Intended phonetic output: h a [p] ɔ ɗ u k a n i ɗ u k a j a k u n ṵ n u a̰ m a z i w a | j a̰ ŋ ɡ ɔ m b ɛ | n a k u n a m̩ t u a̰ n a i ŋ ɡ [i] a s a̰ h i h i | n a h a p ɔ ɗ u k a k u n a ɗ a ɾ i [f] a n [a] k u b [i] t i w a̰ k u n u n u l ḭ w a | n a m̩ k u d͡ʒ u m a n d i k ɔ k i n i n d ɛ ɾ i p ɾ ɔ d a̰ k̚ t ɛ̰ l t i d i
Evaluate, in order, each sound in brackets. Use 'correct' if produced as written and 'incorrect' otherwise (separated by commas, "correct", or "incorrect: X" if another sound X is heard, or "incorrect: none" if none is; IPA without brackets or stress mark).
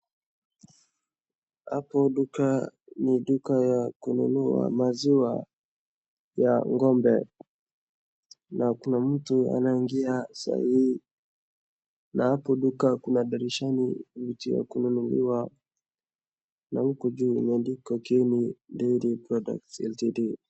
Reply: correct, correct, incorrect: ʃ, incorrect: i, correct